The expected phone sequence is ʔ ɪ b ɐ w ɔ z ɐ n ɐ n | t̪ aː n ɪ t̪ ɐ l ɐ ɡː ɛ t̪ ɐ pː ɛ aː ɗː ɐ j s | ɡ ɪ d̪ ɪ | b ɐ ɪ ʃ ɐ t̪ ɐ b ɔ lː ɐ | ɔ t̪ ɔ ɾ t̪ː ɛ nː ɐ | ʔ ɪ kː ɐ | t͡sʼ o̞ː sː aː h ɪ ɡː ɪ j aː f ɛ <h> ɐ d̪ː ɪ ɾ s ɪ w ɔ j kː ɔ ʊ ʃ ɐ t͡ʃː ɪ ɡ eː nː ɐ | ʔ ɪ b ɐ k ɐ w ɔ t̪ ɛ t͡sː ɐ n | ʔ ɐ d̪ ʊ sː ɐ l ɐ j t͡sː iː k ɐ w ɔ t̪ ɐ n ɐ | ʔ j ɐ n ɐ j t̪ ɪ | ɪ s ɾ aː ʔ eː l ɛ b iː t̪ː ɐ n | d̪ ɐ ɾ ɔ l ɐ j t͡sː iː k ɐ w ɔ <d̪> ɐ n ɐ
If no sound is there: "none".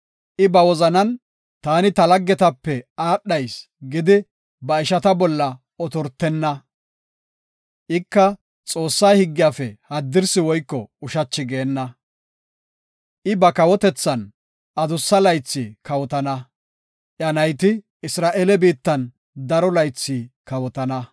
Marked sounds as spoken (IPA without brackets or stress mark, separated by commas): h, t̪